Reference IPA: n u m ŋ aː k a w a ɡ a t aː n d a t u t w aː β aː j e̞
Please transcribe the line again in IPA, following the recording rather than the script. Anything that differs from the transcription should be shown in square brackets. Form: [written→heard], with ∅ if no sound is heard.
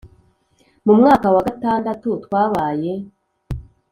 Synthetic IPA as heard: [n→m] u m ŋ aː k a w a ɡ a t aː n d a t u t w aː β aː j e̞